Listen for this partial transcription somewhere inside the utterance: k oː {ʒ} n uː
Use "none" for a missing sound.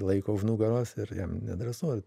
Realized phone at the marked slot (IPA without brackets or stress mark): ʒ